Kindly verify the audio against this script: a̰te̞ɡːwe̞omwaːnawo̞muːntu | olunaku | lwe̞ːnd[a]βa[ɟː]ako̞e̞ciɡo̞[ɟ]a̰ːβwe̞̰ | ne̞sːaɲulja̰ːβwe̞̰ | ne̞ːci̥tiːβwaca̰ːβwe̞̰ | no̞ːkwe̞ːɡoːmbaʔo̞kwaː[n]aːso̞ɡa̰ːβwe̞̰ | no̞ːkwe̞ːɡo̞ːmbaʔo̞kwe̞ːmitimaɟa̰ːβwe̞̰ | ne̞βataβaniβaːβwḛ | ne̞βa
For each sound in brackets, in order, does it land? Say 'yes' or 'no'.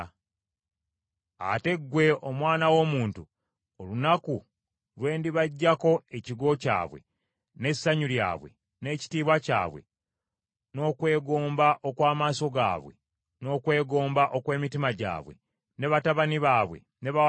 no, yes, no, no

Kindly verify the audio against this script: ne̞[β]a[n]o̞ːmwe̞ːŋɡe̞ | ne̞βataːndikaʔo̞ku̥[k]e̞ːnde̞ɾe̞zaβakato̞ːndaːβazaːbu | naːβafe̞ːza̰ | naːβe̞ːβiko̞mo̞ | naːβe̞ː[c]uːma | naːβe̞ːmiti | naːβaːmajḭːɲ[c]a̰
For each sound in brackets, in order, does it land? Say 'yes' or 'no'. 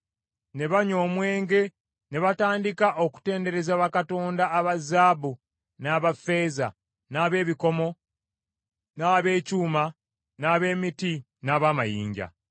yes, no, no, yes, no

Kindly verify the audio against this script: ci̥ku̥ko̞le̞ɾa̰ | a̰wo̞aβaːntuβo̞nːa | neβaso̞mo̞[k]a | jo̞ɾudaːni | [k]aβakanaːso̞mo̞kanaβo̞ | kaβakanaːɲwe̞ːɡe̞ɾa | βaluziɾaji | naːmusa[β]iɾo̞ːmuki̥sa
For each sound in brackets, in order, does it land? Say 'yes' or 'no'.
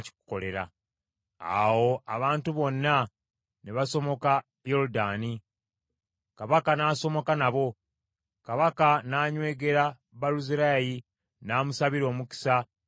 yes, yes, yes

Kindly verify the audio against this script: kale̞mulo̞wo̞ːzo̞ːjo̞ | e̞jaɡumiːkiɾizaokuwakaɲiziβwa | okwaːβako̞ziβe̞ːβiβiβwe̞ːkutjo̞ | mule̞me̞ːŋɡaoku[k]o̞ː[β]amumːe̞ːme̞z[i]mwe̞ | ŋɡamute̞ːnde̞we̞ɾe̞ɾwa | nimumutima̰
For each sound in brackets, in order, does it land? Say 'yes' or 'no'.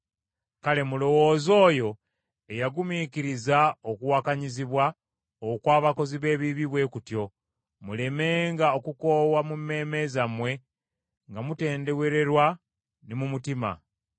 yes, no, no

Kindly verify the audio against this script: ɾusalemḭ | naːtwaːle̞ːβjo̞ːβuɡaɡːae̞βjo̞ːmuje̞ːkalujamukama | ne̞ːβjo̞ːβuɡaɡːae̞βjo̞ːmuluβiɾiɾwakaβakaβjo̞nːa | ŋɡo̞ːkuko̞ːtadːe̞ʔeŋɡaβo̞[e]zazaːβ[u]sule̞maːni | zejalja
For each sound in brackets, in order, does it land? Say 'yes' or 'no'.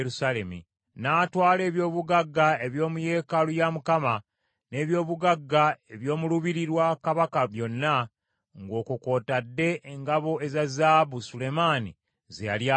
yes, yes

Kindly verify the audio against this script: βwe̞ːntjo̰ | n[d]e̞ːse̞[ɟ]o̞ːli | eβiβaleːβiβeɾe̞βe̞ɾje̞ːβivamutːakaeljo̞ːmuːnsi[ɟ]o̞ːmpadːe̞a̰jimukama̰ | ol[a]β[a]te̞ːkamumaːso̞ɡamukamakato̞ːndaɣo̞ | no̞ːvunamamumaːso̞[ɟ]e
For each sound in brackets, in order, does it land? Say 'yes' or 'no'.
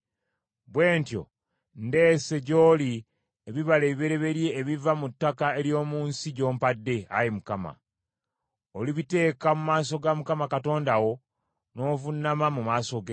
yes, yes, yes, no, no, no

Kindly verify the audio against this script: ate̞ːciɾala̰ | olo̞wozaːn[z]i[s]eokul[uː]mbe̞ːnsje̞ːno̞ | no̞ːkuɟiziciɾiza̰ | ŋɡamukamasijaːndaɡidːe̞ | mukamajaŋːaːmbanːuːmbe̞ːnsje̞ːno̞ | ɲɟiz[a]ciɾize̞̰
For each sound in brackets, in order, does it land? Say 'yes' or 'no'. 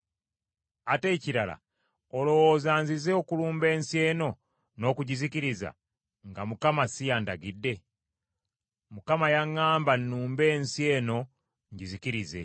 yes, no, yes, no

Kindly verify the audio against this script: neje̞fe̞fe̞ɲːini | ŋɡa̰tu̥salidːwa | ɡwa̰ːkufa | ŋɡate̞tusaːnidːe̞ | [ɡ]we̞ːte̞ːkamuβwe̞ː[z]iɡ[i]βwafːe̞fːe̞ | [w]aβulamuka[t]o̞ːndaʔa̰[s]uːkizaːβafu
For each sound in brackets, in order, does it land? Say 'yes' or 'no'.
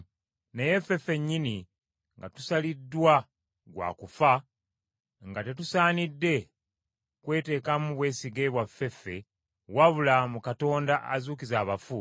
no, no, no, yes, yes, no

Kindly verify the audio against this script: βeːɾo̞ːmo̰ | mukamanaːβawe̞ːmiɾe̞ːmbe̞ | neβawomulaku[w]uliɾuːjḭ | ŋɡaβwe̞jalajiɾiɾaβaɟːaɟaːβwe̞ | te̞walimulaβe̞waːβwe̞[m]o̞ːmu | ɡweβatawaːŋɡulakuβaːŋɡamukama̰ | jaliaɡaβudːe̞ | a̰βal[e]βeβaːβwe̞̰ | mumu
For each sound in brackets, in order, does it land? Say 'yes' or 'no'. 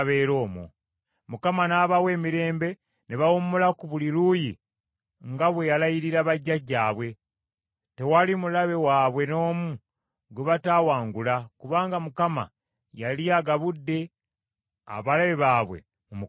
no, no, no

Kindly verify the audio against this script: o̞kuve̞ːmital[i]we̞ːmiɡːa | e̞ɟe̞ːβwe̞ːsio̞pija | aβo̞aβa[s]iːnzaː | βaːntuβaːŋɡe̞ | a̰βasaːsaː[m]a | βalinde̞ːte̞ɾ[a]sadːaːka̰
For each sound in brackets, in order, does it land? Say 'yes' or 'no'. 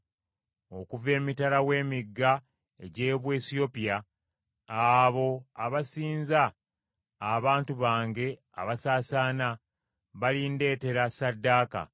no, yes, no, yes

